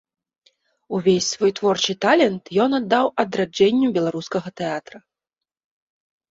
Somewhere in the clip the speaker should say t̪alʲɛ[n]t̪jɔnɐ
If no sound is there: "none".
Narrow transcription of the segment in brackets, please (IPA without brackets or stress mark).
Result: n